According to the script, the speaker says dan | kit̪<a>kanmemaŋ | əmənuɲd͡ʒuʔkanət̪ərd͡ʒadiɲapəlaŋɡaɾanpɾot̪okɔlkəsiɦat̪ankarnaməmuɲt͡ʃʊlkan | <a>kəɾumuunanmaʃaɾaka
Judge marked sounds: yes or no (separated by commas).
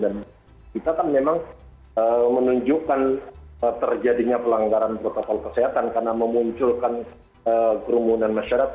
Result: yes, no